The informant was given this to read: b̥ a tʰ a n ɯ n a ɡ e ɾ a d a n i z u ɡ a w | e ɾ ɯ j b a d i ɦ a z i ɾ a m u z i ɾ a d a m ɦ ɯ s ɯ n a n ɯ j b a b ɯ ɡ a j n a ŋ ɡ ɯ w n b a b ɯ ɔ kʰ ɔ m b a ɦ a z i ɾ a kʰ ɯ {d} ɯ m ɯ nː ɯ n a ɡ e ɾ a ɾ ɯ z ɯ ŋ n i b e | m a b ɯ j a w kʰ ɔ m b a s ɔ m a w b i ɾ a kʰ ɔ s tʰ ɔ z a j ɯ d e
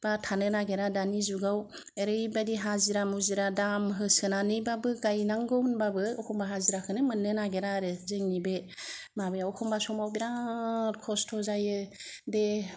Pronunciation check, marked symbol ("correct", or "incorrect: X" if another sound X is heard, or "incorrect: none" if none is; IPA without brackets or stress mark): incorrect: n